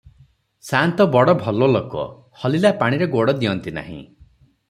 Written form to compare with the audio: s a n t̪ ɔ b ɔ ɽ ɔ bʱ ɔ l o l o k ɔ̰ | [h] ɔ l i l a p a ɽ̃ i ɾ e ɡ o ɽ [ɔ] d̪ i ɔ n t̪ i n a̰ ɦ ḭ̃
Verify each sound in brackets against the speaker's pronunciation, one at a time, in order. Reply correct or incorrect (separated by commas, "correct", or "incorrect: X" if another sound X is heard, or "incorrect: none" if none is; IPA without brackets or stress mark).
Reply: correct, correct